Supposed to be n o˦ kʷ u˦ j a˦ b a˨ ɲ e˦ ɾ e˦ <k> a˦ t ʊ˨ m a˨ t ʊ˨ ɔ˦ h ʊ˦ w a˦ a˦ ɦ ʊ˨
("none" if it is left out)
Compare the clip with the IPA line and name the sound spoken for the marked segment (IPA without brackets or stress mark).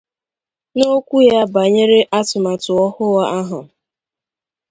ʔ